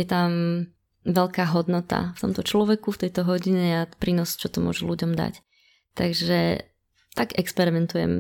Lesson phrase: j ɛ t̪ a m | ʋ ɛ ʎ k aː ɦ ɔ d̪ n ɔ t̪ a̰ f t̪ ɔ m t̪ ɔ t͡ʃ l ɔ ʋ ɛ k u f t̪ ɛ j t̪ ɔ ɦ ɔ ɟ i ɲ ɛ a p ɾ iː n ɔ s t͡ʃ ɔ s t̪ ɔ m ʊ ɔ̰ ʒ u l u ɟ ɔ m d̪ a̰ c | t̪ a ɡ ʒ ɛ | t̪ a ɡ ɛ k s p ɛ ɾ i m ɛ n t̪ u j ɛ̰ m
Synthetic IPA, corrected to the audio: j ɛ t̪ a m | ʋ ɛ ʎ k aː ɦ ɔ d̪ n ɔ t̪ a̰ f t̪ ɔ m t̪ ɔ t͡ʃ l ɔ ʋ ɛ k u f t̪ ɛ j t̪ ɔ ɦ ɔ ɟ i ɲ ɛ a p ɾ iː n ɔ s t͡ʃ ɔ t̪ ɔ m ʊ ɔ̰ ʒ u l u ɟ ɔ m d̪ a̰ c | t̪ a ɡ ʒ ɛ | t̪ a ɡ ɛ k s p ɛ ɾ i m ɛ n t̪ u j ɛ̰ m